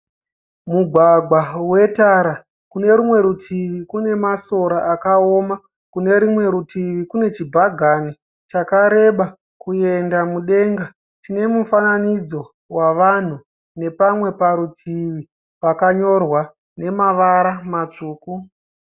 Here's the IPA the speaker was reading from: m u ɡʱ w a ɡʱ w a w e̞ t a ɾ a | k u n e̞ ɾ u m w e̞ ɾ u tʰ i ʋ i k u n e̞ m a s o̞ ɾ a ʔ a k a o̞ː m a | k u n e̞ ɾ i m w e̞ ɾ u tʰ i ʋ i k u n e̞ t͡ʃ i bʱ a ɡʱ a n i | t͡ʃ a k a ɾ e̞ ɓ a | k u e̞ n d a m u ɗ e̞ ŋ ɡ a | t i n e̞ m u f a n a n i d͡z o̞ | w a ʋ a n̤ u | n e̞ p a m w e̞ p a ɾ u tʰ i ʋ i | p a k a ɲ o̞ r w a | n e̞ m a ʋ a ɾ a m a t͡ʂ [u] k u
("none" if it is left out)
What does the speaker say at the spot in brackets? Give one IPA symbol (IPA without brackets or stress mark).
uː